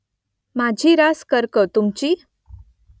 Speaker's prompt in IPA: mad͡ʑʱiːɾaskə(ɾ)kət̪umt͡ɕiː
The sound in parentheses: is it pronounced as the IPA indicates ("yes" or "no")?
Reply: yes